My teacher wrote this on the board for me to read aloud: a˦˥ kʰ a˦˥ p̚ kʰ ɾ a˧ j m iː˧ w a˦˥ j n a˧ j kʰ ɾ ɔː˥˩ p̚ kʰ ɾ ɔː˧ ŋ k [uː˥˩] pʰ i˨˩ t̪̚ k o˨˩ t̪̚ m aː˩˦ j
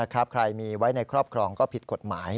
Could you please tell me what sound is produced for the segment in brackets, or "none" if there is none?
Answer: ɔː˥˩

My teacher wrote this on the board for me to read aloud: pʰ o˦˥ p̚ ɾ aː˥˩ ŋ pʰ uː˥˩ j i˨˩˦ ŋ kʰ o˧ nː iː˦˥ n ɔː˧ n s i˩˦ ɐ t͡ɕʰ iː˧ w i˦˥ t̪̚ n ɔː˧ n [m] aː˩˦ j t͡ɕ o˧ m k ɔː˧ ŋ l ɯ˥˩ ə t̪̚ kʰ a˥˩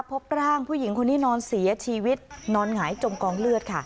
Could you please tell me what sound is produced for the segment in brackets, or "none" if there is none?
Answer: ŋ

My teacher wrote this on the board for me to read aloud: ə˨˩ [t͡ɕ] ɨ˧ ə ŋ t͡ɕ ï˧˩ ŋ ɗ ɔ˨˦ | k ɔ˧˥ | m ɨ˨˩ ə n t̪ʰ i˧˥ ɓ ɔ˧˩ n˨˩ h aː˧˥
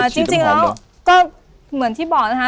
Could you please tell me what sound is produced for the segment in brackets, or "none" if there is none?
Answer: t͡ɕ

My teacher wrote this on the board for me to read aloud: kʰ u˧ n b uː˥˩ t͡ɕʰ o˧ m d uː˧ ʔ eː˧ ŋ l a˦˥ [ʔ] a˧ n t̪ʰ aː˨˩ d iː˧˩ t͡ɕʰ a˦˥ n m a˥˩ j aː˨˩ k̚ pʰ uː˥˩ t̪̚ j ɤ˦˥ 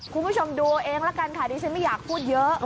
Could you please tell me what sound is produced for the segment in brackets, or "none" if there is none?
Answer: k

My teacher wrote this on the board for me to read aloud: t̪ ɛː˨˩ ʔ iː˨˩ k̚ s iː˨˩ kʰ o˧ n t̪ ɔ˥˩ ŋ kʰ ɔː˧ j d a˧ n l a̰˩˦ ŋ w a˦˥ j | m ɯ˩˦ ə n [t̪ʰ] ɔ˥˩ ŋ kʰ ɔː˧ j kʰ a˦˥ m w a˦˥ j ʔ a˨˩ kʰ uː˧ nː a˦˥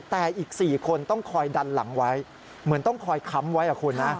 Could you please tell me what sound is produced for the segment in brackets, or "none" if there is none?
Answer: t̪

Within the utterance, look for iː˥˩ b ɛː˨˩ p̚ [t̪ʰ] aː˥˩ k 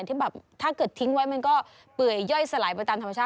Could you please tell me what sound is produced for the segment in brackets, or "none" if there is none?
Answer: t̪ʰ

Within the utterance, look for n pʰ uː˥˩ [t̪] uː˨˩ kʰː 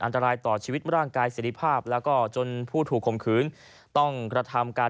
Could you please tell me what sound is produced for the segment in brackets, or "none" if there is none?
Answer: t̪ʰ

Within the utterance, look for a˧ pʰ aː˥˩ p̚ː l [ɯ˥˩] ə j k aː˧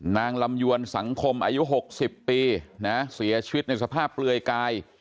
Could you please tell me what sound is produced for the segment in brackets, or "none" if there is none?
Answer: ɯ˧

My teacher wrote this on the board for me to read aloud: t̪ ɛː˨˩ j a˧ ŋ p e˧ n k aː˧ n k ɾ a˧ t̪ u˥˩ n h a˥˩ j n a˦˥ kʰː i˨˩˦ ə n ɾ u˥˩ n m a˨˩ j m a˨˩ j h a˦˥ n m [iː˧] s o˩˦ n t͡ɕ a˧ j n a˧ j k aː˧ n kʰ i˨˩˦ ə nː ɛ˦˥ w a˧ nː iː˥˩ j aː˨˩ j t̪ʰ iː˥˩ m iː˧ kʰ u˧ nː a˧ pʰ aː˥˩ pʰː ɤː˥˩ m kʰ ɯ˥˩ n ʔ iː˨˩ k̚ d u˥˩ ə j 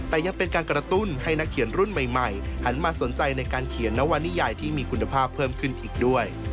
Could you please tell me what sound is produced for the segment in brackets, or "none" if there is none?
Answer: aː˧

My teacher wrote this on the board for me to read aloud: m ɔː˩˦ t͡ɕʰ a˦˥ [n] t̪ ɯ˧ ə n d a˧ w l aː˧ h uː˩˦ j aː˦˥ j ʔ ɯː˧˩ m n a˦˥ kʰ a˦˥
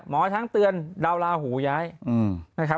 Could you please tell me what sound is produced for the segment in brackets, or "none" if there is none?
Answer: ŋ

